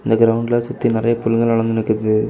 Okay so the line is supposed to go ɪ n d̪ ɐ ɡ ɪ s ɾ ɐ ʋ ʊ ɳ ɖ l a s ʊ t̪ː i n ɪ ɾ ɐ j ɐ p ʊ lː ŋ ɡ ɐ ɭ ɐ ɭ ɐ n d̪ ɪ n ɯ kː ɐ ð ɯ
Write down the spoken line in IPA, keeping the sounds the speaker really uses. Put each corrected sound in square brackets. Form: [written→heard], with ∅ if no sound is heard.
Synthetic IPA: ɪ n d̪ ɐ ɡ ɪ [s→∅] ɾ ɐ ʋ ʊ ɳ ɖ l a s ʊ t̪ː i n ɪ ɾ ɐ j ɐ p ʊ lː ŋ ɡ ɐ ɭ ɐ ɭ ɐ n d̪ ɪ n ɯ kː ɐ ð ɯ